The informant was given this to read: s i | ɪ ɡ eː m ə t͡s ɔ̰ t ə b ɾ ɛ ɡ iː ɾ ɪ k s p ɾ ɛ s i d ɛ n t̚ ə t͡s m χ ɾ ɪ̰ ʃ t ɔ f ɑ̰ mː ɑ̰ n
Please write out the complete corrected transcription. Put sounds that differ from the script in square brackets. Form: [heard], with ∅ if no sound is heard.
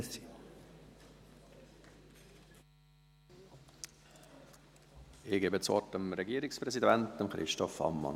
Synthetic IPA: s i | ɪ ɡ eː [b] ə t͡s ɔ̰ t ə [m] ɾ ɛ ɡ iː ɾ ɪ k s p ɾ ɛ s i d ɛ n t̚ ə [∅] m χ ɾ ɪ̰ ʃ t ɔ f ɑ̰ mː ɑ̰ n